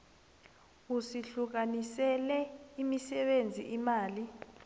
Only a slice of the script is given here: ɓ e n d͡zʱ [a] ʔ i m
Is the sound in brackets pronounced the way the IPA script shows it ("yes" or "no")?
no